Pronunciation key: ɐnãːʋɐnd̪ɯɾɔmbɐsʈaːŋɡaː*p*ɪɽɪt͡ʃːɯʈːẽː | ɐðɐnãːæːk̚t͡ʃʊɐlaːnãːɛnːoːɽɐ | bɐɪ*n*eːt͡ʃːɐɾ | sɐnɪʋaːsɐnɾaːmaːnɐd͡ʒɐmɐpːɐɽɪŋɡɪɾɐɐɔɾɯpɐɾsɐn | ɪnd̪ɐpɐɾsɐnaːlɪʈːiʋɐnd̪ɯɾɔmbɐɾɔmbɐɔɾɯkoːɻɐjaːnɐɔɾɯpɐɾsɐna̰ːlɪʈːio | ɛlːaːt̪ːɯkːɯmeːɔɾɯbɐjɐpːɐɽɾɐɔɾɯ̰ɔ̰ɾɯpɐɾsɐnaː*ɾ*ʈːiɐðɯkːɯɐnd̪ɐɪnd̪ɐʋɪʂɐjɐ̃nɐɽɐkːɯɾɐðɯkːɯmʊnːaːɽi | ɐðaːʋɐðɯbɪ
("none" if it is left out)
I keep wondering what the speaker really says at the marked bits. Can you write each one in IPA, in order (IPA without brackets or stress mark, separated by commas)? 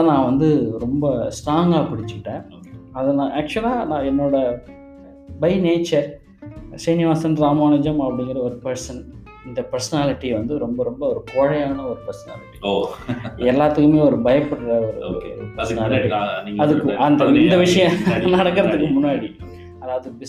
p, n, l